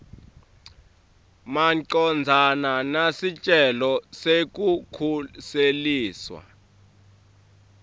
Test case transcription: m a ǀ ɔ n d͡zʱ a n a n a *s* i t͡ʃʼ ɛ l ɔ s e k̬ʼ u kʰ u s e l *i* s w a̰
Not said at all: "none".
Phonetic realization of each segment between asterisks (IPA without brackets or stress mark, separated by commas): s, iː